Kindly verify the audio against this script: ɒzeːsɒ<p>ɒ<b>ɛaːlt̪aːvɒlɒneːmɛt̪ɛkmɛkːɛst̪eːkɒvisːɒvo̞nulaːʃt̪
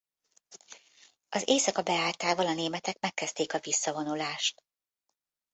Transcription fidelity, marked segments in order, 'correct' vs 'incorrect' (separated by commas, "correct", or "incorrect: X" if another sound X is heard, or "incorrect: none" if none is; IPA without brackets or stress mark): incorrect: k, correct